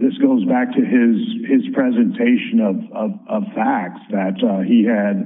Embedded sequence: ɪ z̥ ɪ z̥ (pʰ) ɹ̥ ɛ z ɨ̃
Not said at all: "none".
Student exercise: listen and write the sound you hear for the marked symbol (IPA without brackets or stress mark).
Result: pʰ